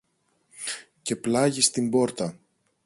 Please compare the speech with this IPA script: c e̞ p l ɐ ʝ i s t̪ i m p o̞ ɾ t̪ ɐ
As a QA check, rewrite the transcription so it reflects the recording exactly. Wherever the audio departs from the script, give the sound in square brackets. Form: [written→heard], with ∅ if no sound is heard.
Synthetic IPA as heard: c e̞ p l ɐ ʝ i s t̪ i m [p→b] o̞ ɾ t̪ ɐ